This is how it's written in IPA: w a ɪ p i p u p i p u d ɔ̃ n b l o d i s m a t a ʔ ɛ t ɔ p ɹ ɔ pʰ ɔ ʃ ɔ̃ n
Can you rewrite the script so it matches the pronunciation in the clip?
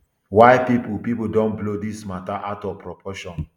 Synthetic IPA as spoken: w a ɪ p i p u p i p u d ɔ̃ n b l o d i s m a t a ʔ a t ɔ p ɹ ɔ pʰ ɔ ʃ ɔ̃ n